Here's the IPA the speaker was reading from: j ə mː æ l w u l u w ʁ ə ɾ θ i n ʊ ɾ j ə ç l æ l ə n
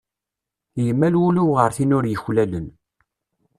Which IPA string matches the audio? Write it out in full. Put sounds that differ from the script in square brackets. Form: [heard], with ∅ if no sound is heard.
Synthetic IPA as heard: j ə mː æ l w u l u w ʁ ə ɾ θ i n ʊ ɾ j ə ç l æ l ə n